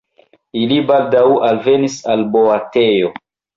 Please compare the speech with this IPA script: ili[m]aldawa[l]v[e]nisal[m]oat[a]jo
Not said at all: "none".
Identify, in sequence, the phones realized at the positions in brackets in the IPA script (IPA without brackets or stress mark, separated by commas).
b, l, e, b, e